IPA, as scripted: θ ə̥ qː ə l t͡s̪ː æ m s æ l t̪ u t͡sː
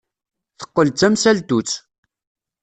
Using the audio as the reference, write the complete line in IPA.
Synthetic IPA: θ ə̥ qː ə l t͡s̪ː æ m s æ l t̪ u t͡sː